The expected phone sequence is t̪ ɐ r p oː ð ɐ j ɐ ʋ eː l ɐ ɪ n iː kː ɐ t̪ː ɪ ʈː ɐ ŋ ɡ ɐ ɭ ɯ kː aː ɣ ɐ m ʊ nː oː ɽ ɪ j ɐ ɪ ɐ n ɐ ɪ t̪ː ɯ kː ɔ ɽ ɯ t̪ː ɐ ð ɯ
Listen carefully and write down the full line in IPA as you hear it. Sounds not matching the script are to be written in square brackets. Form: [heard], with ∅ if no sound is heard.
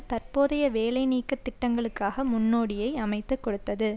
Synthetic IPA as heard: t̪ ɐ r p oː ð ɐ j ɐ ʋ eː l ɐ ɪ n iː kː ɐ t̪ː ɪ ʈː ɐ ŋ ɡ ɐ ɭ ɯ kː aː ɣ ɐ m ʊ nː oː ɽ ɪ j ɐ ɪ ɐ [m] ɐ ɪ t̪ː ɯ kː ɔ ɽ ɯ t̪ː ɐ ð ɯ